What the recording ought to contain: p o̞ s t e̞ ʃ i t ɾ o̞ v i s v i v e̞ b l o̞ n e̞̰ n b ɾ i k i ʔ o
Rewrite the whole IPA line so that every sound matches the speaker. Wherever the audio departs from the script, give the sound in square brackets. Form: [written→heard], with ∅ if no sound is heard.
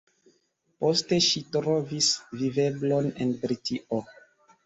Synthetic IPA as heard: p o̞ s t e̞ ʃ i t ɾ o̞ v i s v i v e̞ b l o̞ n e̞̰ n b ɾ i [k→t] i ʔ o